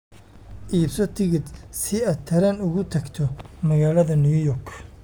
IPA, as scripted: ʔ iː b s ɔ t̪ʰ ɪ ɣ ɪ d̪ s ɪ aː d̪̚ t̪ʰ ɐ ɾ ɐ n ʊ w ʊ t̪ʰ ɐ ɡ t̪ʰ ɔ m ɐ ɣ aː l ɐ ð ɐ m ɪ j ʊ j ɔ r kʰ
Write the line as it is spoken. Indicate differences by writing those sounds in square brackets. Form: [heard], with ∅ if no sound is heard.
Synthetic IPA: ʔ iː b s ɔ t̪ʰ ɪ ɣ ɪ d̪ s ɪ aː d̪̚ t̪ʰ ɐ ɾ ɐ n ʊ [ɣ] ʊ t̪ʰ ɐ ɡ t̪ʰ ɔ m ɐ ɣ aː l ɐ ð ɐ [n] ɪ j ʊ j ɔ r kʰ